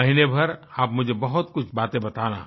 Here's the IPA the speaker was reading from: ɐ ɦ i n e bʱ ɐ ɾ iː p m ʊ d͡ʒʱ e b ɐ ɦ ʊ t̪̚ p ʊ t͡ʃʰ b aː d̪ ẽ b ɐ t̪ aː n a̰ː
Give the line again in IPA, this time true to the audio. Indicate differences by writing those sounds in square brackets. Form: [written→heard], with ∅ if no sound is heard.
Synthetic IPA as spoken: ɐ ɦ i n e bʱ ɐ ɾ [iː→aː] p m ʊ d͡ʒʱ e b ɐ ɦ ʊ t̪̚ [p→k] ʊ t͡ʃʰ b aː [d̪→t̪] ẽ b ɐ t̪ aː n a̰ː